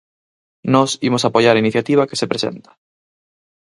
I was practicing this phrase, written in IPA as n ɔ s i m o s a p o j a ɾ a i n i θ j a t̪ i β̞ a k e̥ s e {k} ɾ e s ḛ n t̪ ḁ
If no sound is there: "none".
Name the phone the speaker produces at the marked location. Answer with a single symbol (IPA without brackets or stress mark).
p